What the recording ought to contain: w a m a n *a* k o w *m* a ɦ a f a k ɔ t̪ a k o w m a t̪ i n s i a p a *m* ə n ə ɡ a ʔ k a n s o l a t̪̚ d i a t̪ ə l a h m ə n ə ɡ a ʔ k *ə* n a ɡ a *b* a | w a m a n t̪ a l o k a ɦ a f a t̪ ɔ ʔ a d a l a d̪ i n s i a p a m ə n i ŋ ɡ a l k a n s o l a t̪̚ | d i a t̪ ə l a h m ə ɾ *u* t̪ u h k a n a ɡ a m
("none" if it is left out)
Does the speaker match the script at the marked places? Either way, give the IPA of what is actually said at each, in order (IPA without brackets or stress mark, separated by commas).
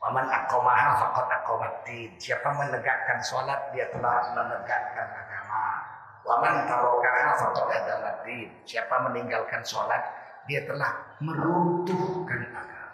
a, m, m, a, m, u